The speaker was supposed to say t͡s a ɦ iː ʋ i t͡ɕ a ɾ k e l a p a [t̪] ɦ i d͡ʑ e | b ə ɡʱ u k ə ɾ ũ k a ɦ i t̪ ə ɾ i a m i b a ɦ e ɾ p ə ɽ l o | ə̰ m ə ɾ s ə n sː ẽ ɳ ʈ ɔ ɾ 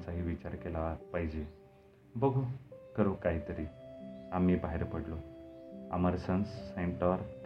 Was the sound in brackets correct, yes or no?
no